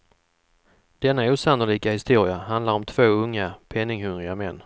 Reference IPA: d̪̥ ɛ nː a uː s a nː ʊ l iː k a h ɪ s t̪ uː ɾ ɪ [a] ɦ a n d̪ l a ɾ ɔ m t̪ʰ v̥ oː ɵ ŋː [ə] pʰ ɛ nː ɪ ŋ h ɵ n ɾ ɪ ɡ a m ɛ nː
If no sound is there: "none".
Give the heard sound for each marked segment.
a, a

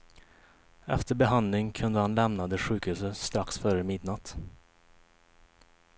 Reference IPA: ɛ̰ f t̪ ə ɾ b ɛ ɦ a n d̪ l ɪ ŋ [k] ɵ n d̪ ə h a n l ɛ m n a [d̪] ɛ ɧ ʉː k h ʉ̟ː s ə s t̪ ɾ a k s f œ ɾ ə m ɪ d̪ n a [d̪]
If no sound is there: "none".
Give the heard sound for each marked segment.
kʰ, d̪, t̪

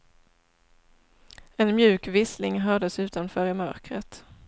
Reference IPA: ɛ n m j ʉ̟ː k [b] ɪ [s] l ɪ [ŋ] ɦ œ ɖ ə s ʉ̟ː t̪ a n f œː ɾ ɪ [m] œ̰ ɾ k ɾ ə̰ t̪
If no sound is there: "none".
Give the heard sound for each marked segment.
v, s, ŋ, m

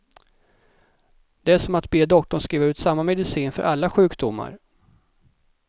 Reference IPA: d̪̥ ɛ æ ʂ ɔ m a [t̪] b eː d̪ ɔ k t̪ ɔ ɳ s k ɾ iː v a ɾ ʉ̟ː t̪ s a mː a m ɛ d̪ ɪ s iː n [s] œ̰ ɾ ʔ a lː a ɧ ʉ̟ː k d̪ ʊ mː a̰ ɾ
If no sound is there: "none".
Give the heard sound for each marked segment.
t̪, f

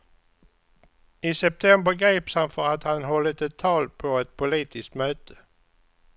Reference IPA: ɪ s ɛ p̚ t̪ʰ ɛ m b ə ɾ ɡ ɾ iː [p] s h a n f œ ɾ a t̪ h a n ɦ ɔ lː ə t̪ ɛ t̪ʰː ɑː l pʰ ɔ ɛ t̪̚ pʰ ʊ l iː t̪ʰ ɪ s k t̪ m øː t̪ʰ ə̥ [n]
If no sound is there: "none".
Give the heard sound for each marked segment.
p, none

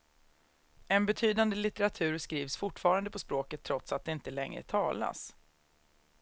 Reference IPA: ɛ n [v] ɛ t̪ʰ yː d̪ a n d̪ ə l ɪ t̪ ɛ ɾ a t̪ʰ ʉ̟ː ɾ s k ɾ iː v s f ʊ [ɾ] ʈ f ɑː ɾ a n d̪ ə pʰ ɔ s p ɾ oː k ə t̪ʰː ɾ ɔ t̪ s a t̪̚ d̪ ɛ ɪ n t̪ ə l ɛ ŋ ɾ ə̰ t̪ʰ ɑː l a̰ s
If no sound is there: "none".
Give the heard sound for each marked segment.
b, none

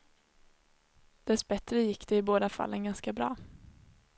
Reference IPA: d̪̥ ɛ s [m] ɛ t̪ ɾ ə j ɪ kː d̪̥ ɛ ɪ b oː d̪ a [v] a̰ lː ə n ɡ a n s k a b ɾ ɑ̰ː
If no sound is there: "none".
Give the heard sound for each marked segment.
b, f

